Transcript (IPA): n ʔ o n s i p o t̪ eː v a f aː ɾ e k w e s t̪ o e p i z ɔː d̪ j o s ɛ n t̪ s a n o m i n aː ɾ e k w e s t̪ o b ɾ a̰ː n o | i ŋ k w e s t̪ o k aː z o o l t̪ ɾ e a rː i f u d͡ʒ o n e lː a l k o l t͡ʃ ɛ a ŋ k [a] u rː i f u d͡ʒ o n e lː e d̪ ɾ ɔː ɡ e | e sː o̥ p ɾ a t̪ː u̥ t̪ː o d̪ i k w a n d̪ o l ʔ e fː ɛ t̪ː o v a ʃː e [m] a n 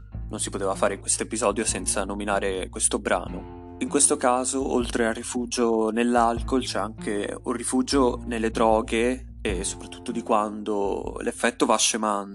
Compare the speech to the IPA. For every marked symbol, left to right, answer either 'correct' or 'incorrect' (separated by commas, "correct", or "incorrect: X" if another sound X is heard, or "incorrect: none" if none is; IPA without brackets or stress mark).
incorrect: e, correct